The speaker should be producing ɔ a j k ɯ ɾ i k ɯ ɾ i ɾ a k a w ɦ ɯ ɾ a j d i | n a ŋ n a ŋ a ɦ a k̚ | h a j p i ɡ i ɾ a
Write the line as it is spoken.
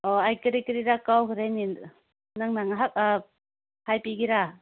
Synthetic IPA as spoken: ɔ a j k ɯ ɾ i k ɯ ɾ i ɾ a k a w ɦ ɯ ɾ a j n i | n a ŋ n a ŋ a ɦ a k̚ | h a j p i ɡ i ɾ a

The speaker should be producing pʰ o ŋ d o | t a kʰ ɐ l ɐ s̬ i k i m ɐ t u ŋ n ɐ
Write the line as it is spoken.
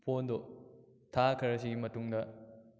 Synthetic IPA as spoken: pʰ o n d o | tʰ a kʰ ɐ ɾ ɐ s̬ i ɡ i m ɐ t u ŋ d ɐ

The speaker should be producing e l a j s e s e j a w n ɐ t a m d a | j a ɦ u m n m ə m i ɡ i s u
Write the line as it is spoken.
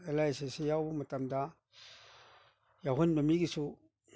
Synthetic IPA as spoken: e l a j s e s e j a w m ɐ t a m d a | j a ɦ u n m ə m i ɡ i s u

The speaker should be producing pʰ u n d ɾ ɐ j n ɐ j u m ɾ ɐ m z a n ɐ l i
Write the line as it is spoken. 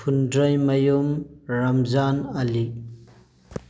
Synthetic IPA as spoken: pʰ u n d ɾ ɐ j m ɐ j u m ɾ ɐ m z a n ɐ l i

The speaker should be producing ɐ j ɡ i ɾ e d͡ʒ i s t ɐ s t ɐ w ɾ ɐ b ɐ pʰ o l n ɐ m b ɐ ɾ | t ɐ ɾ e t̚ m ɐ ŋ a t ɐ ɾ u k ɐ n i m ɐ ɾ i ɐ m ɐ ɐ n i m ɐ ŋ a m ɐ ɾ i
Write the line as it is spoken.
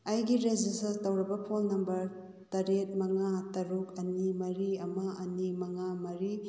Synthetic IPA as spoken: ɐ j ɡ i ɾ e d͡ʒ i s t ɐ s t ɐ w ɾ ɐ b ɐ pʰ o l n ɐ m b ɐ ɾ | t ɐ ɾ e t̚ m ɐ ŋ a t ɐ ɾ u k ɐ n i m ɐ ɾ i ɐ m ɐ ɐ n i m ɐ ŋ a m ɐ ɾ i

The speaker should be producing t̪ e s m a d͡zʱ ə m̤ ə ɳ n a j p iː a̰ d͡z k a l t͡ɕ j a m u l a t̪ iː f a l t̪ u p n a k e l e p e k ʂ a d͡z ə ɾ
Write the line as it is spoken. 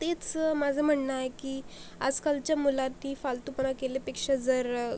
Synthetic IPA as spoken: t̪ e t͡s m a d͡zʱ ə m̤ ə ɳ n a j k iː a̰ d͡z k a l t͡ɕ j a m u l a t̪ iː f a l t̪ u p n a k e l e p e k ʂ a d͡z ə ɾ

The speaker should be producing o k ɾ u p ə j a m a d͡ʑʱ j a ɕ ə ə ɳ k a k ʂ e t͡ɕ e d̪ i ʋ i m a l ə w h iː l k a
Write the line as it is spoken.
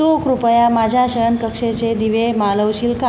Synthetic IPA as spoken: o k ɾ u p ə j a m a d͡ʑʱ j a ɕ ə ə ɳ k ə k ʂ e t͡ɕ e d̪ i ʋ e m a l ə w ɕ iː l k a

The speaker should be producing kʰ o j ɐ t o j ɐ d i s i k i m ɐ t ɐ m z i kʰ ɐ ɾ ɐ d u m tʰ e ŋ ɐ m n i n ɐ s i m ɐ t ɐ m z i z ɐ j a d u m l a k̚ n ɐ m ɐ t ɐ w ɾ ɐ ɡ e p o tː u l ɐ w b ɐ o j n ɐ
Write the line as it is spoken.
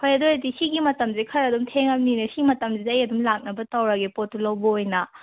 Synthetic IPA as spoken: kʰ o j ɐ d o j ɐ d i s i ɡ i m ɐ t ɐ m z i kʰ ɐ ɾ ɐ d u m tʰ e ŋ ɐ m n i n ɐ s i m ɐ t ɐ m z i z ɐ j ɐ d u m l a k̚ n ɐ b ɐ t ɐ w ɾ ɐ ɡ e p o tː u l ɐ w b ɐ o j n ɐ

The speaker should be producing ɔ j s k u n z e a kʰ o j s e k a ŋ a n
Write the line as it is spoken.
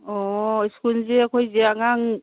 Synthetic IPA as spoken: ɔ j s k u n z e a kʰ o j z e a ŋ a ŋ

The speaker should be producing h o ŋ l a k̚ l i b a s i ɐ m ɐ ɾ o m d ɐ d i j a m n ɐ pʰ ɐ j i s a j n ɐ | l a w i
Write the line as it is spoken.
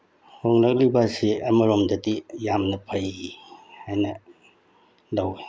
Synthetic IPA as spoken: h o ŋ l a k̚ l i b a s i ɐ m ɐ ɾ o m d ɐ d i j a m n ɐ pʰ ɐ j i h a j n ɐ | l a w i

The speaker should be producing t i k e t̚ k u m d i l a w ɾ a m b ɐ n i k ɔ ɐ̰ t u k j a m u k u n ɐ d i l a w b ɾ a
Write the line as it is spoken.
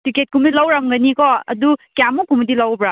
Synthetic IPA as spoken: t i k e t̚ k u m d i l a w ɾ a m ɡ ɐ n i k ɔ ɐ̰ d u k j a m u k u m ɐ d i l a w b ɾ a

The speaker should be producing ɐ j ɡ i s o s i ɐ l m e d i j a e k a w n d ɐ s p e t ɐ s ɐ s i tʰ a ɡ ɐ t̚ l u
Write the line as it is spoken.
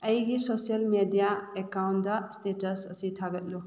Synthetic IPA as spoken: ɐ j ɡ i s o s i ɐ l m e d i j a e k a w n d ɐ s t e t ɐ s ɐ s i tʰ a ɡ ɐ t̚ l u

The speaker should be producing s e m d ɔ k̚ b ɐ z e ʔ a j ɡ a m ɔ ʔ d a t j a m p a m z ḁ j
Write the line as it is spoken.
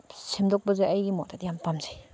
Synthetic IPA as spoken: s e m d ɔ k̚ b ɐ z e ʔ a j ɡ i m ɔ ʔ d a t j a m p a m z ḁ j

